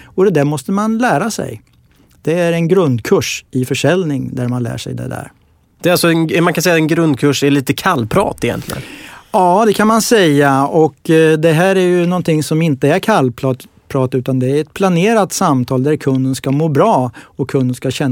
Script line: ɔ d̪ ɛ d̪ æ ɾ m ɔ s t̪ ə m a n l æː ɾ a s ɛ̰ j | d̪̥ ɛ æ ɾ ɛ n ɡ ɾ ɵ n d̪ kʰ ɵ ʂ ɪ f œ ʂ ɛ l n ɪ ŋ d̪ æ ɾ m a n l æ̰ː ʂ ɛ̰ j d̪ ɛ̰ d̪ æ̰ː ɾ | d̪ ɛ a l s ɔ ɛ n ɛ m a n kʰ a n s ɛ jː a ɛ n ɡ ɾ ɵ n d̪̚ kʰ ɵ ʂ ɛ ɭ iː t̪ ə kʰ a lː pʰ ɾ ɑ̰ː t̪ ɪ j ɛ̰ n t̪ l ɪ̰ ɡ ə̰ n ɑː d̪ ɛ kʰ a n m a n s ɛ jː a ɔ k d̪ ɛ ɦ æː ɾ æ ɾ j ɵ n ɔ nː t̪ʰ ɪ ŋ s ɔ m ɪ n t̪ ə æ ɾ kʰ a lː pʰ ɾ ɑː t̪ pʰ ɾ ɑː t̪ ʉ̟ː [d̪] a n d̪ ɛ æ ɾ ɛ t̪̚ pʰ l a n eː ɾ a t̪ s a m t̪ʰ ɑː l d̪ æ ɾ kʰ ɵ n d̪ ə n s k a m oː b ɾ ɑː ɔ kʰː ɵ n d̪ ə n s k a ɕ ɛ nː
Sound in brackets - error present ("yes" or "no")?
yes